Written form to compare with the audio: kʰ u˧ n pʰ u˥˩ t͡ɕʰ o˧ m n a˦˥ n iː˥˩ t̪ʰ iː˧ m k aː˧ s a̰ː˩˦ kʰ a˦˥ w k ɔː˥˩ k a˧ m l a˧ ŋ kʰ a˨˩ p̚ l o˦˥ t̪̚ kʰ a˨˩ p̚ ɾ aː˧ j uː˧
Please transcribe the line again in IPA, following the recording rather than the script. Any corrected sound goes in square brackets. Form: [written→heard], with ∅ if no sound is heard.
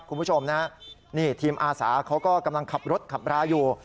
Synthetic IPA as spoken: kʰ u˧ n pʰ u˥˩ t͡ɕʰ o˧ m n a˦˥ n iː˥˩ t̪ʰ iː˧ m [k→ʔ] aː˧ s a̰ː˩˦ kʰ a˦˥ w k ɔː˥˩ k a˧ m l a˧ ŋ kʰ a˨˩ p̚ [l→ɾ] o˦˥ t̪̚ kʰ a˨˩ p̚ ɾ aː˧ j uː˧